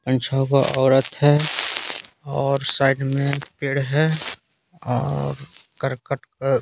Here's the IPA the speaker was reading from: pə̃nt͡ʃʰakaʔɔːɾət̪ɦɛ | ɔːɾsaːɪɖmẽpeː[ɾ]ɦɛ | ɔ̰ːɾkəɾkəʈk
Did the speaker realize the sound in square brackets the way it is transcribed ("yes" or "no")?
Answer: no